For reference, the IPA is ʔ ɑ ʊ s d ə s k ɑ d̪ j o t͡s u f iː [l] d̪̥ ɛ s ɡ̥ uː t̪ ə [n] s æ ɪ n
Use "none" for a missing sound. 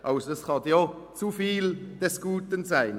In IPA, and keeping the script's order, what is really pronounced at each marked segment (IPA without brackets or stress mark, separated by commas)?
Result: l, n